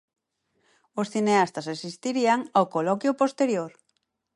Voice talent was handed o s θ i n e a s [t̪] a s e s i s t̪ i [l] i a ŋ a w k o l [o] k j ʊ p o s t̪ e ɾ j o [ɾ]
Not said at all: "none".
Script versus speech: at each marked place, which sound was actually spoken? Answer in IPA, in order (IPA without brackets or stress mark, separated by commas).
t̪, ɾ, ɔ, ɾ